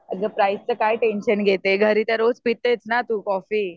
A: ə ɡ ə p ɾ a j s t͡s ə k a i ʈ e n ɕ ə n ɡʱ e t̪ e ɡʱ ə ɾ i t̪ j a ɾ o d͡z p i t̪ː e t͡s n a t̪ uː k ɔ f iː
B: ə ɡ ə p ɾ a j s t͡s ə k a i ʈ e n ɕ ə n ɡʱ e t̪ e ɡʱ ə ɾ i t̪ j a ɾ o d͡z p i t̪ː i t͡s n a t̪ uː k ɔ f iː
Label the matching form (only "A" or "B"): A